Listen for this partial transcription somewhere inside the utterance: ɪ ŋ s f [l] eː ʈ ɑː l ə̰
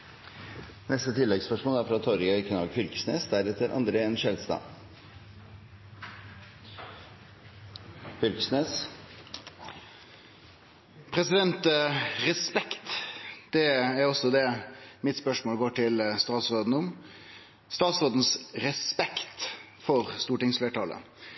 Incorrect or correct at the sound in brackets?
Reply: correct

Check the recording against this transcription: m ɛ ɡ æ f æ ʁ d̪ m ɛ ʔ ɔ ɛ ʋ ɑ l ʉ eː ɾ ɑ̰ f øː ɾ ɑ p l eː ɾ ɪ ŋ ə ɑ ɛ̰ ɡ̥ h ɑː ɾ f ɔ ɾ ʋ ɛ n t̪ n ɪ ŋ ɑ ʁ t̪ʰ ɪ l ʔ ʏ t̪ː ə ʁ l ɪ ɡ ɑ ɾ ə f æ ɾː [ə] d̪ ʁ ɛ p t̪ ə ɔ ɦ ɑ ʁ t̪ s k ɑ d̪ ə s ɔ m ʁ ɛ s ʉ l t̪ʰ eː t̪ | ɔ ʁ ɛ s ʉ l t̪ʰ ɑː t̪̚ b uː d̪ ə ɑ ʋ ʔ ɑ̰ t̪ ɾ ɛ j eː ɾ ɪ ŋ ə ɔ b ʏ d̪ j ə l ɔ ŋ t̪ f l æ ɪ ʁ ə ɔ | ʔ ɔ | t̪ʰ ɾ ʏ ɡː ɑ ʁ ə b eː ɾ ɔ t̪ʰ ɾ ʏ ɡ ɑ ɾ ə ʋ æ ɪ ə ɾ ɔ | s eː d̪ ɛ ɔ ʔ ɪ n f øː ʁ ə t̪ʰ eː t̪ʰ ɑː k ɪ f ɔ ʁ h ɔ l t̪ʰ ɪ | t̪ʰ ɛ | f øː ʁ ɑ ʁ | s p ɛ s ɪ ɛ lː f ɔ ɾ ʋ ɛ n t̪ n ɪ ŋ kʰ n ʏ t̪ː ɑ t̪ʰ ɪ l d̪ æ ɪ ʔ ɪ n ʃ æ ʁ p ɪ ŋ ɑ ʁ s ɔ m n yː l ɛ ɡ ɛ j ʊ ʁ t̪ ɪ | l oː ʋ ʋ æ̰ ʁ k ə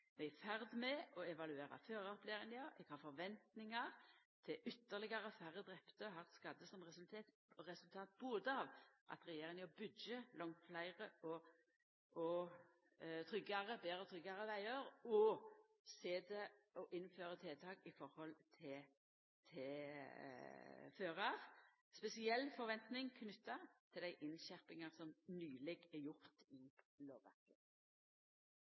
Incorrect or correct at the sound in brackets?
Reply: correct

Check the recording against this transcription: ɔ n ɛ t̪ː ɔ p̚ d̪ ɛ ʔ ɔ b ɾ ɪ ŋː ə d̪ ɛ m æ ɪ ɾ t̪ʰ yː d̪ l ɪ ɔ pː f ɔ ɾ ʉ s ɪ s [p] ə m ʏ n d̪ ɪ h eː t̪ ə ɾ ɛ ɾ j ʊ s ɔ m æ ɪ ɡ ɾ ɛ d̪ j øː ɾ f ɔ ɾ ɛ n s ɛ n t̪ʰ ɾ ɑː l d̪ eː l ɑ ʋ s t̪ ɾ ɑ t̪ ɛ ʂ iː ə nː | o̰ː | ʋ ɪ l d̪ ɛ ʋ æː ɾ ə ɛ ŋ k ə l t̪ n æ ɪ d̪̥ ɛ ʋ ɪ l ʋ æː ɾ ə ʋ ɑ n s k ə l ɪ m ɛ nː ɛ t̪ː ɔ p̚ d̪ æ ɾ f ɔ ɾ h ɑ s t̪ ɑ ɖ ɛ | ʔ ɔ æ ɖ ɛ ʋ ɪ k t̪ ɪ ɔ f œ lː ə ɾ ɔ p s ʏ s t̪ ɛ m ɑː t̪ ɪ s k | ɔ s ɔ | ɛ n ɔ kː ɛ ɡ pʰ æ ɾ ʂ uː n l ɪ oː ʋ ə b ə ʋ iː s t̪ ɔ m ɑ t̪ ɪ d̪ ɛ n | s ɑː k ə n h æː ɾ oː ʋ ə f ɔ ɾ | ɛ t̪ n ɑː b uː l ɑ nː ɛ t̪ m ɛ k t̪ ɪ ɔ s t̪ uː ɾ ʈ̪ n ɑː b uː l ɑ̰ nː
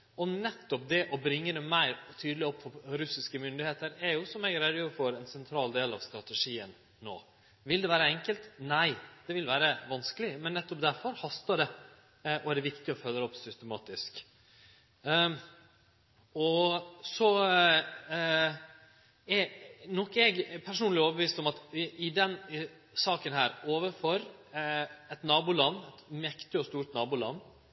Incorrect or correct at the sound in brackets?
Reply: incorrect: k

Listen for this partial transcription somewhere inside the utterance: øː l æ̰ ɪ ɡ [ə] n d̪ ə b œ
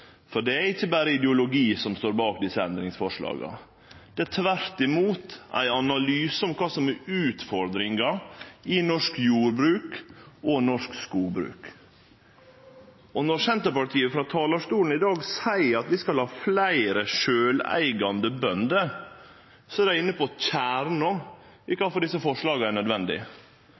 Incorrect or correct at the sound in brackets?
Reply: incorrect: ɑ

